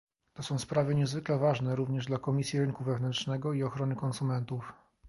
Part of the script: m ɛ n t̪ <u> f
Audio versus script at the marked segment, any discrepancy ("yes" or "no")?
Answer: no